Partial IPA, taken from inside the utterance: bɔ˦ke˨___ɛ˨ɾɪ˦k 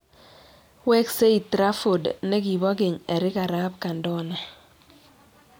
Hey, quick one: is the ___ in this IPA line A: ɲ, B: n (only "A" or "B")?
A